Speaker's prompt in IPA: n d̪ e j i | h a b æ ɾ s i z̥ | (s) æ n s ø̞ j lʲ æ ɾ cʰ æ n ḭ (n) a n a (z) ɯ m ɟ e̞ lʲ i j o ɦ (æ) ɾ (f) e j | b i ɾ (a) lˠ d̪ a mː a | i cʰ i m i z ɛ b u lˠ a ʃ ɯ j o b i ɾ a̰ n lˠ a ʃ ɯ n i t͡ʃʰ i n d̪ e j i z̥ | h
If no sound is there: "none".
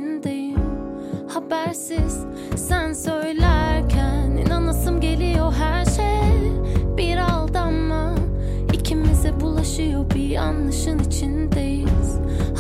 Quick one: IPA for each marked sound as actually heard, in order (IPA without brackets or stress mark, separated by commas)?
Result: s, n, s, æ, ʃ, a